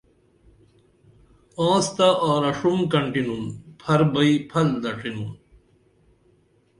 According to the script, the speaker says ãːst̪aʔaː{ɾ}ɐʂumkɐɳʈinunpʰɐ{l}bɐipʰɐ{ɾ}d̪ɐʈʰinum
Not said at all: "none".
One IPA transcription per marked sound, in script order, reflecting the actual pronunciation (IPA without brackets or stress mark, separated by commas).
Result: ɾ, ɾ, l